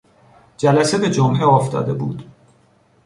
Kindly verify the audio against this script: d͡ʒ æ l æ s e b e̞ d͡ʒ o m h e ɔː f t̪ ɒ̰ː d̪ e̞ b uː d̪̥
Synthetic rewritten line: d͡ʒ æ l æ s e b e̞ d͡ʒ o m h e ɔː f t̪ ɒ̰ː d̪ e̞ b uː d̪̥